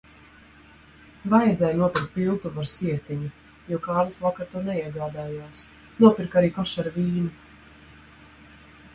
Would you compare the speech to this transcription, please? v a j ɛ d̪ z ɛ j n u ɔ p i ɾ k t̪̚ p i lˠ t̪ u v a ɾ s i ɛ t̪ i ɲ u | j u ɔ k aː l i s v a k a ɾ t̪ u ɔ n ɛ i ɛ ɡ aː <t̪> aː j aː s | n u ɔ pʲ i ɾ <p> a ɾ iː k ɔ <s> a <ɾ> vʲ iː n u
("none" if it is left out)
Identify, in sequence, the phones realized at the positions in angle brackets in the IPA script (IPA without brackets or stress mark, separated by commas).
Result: d̪, k, ʃ, ɾ